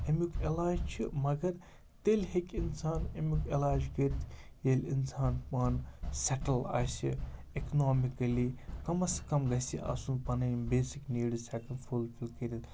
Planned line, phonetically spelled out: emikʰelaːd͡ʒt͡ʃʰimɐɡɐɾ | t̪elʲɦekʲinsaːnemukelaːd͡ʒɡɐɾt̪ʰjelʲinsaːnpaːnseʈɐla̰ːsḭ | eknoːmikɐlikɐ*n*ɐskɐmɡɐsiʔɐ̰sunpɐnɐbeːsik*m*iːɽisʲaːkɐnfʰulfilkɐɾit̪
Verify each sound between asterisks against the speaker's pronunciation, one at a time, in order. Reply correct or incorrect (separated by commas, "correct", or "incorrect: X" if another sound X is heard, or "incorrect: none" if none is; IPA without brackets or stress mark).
incorrect: m, incorrect: n